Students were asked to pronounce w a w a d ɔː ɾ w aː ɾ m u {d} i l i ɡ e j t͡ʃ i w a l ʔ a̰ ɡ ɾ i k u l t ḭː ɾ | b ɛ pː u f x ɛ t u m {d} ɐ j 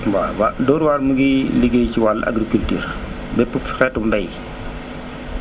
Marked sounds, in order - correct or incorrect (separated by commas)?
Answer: incorrect, correct